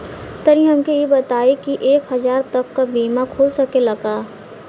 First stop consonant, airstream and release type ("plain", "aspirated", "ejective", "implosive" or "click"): plain